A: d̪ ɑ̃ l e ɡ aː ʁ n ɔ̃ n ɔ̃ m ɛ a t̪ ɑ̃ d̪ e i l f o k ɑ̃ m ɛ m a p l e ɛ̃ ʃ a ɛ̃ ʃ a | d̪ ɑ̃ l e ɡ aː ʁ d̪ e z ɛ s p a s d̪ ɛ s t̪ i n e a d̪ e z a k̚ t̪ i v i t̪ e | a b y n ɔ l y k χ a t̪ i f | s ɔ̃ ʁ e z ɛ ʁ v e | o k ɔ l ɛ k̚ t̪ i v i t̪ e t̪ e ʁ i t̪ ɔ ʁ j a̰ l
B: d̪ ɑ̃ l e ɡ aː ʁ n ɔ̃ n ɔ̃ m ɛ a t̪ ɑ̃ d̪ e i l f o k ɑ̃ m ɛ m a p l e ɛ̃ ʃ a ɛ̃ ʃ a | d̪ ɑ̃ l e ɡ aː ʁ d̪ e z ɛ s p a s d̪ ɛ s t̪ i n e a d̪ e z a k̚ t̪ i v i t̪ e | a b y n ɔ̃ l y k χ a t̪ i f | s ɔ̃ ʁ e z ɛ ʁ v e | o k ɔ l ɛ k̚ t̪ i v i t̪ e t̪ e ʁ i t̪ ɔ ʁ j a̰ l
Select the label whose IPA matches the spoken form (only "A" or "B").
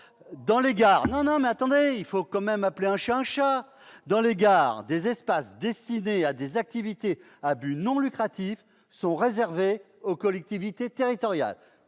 B